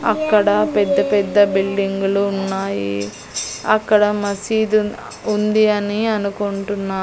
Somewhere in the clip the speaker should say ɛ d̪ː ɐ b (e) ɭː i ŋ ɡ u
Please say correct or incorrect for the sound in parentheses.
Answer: incorrect